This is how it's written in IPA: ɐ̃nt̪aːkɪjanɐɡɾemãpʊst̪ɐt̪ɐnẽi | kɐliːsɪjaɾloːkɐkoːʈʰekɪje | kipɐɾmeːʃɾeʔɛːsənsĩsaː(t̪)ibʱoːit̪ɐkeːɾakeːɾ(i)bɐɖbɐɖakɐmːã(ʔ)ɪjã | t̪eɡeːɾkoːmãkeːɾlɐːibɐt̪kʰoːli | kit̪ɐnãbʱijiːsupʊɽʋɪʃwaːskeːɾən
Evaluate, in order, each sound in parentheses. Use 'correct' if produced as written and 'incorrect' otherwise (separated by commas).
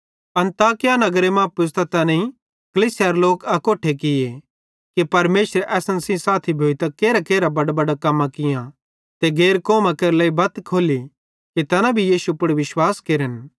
incorrect, incorrect, incorrect